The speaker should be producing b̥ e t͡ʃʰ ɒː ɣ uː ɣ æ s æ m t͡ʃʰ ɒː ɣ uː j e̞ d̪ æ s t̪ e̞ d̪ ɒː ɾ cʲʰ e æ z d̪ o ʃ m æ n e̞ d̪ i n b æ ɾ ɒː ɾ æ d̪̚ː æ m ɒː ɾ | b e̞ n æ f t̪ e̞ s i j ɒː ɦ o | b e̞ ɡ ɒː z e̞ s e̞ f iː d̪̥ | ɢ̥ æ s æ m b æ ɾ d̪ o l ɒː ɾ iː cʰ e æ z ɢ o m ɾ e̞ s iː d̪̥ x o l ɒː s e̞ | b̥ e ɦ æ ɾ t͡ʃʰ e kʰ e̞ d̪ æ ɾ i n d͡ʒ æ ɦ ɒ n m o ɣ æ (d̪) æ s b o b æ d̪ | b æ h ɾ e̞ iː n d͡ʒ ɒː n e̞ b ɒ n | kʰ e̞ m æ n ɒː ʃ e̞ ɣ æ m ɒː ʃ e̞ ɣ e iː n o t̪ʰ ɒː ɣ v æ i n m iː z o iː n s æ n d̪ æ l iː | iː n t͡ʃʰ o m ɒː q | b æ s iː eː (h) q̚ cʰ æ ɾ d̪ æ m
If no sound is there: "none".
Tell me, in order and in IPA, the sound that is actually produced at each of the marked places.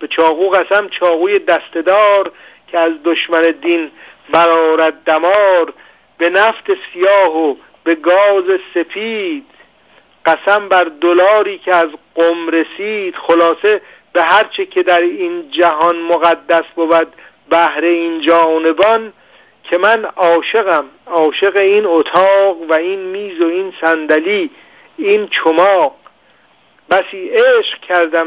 d̪ː, ʃ

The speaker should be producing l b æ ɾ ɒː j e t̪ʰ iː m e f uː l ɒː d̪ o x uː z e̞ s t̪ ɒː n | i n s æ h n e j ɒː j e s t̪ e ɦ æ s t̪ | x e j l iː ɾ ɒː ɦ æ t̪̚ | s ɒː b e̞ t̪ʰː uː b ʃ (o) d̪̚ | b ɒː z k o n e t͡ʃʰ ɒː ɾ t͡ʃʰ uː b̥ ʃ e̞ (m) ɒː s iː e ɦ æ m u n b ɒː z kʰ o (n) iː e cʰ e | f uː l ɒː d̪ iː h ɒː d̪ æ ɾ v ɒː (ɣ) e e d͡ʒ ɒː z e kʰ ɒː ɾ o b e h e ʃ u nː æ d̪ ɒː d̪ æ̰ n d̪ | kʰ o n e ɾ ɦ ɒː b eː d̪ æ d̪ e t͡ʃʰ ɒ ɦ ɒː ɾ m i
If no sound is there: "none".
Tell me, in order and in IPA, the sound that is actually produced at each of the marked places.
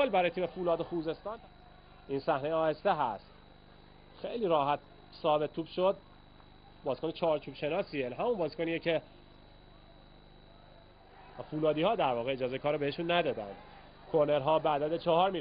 o, n, n, ɣ

